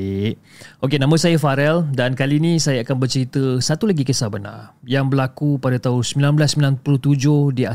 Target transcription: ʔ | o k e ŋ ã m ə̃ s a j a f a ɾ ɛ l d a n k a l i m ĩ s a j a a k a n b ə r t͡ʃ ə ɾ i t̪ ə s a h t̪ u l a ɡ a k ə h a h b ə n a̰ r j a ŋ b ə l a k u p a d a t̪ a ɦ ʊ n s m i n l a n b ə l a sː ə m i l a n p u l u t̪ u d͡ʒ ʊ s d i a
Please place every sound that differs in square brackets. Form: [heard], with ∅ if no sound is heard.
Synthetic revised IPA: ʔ | o k e [n] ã m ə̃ s a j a f a ɾ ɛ l d a n k a l i [n] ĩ s a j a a k a n b ə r t͡ʃ ə ɾ i t̪ ə s a [∅] t̪ u l a ɡ [i] k ə [s] a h b ə n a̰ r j a ŋ b ə l a k u p a d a t̪ a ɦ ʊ n s m i [∅] l a n b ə l a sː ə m i l a n p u l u t̪ u d͡ʒ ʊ [h] d i a